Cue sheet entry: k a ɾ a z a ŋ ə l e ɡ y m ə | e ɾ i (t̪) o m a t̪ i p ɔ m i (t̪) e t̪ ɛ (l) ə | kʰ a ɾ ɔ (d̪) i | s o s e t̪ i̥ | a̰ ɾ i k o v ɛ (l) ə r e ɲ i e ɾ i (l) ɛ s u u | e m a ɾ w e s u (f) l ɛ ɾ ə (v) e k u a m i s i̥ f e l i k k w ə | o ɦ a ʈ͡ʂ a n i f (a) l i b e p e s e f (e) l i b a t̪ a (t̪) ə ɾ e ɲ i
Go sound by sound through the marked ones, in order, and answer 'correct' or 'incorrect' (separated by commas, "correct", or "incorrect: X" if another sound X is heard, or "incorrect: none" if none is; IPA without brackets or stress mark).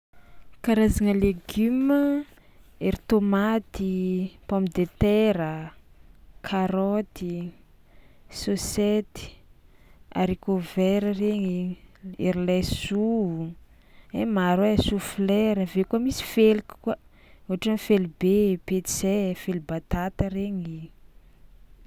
correct, incorrect: d̪, incorrect: ɾ, incorrect: t̪, incorrect: ɾ, correct, correct, correct, incorrect: e, correct, correct